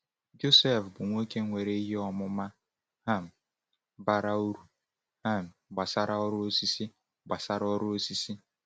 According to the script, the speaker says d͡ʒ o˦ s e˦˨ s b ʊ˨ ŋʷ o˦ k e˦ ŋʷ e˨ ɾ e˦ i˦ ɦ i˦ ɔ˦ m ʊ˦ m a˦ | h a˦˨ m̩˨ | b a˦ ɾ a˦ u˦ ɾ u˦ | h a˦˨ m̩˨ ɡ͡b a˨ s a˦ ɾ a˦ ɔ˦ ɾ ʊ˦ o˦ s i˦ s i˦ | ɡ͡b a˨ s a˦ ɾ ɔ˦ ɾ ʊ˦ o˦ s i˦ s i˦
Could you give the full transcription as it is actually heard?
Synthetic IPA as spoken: d͡ʒ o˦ s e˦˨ f b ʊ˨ ŋʷ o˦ k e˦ ŋʷ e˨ ɾ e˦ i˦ ɦ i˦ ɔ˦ m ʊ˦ m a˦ | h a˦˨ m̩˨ | b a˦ ɾ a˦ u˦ ɾ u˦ | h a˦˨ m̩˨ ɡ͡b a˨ s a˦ ɾ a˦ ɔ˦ ɾ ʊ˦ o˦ s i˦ s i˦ | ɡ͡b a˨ s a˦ ɾ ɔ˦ ɾ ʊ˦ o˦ s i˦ s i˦